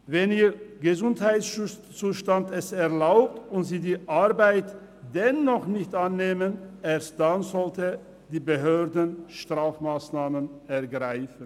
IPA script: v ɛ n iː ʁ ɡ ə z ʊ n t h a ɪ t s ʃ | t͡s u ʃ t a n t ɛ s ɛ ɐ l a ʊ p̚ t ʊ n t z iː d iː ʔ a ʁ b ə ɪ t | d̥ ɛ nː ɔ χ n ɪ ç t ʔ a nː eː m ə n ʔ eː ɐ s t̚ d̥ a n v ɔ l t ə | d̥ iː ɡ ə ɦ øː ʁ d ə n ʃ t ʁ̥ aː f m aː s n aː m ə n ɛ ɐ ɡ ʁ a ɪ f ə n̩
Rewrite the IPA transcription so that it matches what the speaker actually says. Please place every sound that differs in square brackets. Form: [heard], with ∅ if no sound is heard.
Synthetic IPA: v ɛ n iː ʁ ɡ ə z ʊ n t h a ɪ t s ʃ | t͡s [uː] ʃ t a n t ɛ s ɛ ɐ l a ʊ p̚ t ʊ n t z iː d iː ʔ a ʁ b [a] ɪ t | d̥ ɛ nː ɔ χ n ɪ ç t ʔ a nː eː m ə n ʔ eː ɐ s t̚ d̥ a n [z] ɔ l t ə | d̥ iː [b] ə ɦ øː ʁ d ə n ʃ t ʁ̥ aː f m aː s n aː m ə n ɛ ɐ ɡ ʁ a ɪ f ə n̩